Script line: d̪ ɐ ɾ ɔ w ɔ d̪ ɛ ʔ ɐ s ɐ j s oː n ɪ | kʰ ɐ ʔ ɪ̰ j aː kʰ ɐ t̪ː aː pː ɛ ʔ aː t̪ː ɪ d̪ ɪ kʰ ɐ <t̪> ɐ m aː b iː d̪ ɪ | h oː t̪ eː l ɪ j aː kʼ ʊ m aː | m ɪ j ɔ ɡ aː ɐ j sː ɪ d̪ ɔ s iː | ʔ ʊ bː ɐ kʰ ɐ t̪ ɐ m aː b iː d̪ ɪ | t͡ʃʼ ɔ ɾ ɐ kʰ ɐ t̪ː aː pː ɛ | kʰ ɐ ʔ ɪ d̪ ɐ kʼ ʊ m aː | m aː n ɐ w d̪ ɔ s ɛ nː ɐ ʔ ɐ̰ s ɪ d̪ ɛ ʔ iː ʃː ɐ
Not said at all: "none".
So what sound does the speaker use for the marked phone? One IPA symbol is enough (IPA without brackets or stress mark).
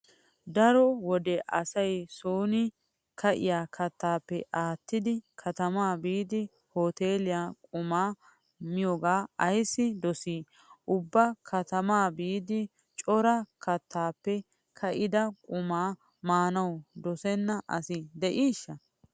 t̪